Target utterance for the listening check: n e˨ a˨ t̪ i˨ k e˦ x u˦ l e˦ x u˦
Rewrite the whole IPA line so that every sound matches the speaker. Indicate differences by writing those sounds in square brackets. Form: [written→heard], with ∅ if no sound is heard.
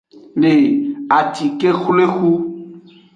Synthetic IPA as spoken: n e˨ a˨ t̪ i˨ k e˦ x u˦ l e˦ x u˦